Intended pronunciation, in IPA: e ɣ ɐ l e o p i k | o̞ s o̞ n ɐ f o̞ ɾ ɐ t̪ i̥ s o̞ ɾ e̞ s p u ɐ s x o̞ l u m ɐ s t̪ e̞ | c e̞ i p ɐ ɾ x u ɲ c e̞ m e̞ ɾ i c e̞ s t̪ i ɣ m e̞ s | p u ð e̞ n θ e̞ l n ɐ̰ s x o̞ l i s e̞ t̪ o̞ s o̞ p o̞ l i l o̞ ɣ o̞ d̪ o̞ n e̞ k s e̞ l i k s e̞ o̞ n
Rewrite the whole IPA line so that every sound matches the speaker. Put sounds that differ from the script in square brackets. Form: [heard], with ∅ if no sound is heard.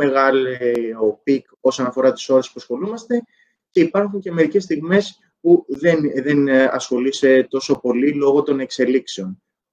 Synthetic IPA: e ɣ ɐ l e o p i k | o̞ s o̞ n ɐ f o̞ ɾ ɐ t̪ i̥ s o̞ ɾ e̞ s p u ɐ s x o̞ l u m ɐ s t̪ e̞ | c e̞ i p ɐ ɾ x u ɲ c e̞ m e̞ ɾ i c e̞ s t̪ i ɣ m e̞ s | p u ð e̞ n [ð] e̞ [∅] n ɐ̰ s x o̞ l i s e̞ t̪ o̞ s o̞ p o̞ l i l o̞ ɣ o̞ [t̪] o̞ n e̞ k s e̞ l i k s e̞ o̞ n